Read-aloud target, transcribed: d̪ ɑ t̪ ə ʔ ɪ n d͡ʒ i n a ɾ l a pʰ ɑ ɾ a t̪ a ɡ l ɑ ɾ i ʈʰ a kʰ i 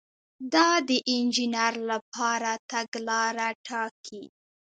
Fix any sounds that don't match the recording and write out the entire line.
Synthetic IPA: d̪ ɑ d̪ ə ʔ ɪ n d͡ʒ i n a ɾ l a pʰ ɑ ɾ a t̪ a ɡ l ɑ ɾ a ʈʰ ɑ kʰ i